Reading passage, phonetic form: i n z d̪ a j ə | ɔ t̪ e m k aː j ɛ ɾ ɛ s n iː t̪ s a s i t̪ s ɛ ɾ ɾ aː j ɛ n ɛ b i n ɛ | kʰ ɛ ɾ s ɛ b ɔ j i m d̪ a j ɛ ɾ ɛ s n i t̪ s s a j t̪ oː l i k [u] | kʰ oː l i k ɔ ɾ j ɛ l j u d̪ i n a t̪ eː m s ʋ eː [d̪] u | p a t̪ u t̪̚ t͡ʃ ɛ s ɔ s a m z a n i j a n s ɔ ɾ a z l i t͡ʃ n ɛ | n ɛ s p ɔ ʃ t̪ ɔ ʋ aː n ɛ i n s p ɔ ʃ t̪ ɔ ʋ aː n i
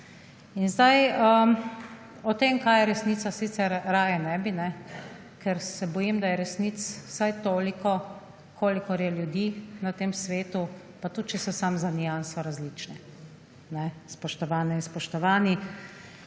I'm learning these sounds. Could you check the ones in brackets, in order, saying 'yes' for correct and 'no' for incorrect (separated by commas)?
no, no